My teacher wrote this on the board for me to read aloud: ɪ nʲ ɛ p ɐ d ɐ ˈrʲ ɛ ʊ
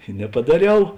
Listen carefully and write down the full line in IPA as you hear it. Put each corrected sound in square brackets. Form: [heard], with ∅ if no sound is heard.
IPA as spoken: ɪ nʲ ɛ p ɐ d ɐ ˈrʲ ɛ ʊ